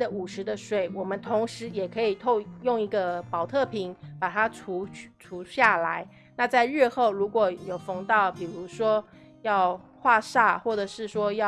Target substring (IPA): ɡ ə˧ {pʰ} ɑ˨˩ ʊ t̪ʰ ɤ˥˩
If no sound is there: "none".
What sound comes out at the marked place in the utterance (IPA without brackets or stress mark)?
p